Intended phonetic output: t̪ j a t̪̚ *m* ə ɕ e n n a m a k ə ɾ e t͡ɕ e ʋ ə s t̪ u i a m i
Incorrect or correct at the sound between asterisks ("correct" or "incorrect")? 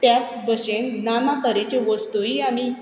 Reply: incorrect